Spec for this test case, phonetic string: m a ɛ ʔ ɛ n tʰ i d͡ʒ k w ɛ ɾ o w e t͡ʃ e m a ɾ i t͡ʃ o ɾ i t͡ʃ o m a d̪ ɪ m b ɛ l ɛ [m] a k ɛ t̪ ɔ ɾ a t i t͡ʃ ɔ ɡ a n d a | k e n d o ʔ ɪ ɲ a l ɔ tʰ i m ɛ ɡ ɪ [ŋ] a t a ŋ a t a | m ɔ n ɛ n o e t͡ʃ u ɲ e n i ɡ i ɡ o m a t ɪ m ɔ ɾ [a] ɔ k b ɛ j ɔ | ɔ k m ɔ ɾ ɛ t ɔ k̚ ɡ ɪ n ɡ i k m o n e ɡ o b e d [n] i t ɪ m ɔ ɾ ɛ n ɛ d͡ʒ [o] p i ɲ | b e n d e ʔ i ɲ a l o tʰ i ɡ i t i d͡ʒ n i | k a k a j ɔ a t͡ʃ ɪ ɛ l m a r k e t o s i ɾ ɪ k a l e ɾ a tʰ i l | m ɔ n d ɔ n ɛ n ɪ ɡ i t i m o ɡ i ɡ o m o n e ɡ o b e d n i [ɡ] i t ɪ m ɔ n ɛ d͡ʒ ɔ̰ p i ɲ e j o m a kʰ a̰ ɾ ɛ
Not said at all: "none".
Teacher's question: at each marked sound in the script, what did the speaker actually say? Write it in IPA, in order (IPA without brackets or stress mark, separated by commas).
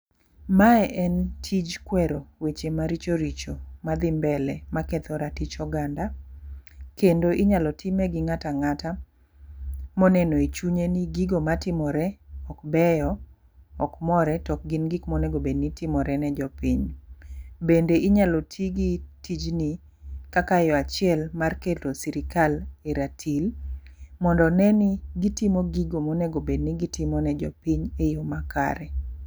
m, ŋ, ɛ, n, ɔ, ɡ